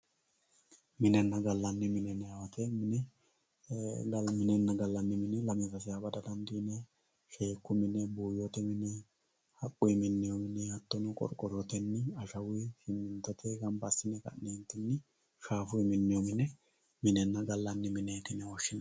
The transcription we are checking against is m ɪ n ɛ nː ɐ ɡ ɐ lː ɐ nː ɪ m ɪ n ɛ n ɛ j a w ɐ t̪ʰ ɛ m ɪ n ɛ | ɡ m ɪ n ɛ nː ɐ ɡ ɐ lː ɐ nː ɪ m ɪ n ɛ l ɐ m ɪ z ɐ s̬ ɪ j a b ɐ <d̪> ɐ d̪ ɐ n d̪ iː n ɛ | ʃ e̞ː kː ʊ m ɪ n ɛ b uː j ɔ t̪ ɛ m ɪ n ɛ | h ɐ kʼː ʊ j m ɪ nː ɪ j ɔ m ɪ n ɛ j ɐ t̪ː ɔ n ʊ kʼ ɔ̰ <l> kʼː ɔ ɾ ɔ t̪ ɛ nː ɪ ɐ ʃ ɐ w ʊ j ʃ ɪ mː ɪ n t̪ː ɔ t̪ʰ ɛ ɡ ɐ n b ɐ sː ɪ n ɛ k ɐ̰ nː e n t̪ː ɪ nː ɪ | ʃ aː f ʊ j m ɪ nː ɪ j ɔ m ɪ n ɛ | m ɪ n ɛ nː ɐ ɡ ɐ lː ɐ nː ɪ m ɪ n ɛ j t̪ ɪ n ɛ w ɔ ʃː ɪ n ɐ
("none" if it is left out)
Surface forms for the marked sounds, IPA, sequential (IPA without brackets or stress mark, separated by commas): d̪, ɾ